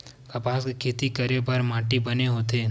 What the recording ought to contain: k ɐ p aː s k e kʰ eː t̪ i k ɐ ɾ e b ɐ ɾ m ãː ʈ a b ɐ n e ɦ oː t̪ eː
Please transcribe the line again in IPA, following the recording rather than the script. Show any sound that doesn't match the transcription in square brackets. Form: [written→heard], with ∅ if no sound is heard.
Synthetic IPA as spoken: k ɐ p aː s k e kʰ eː t̪ i k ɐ ɾ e b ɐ ɾ m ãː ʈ [a→i] b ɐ n e ɦ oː t̪ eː